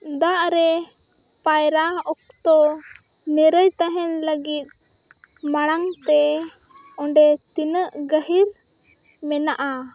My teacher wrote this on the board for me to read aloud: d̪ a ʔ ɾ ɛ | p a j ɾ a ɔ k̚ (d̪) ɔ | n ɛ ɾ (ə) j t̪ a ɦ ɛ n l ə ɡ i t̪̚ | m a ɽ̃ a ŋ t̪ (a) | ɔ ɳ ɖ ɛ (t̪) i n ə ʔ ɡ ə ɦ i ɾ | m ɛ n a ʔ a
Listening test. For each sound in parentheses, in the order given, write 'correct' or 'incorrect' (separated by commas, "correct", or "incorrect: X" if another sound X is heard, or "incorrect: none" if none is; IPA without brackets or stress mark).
incorrect: t̪, correct, incorrect: ɛ, correct